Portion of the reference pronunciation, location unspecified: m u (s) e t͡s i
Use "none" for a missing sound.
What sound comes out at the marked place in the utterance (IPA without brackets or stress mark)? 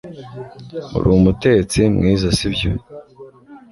t